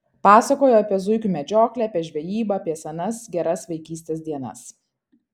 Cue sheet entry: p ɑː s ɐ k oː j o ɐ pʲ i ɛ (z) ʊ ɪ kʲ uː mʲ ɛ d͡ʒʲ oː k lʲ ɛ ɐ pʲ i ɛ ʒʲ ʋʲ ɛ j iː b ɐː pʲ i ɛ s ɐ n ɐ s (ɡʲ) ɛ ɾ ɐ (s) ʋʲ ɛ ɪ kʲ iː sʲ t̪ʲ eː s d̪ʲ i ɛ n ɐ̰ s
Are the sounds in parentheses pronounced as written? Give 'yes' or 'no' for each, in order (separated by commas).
yes, yes, yes